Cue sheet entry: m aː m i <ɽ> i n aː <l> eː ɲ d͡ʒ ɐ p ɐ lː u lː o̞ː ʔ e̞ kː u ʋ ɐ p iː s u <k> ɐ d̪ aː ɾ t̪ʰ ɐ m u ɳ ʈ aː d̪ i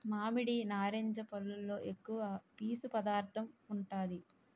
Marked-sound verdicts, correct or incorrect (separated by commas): correct, incorrect, incorrect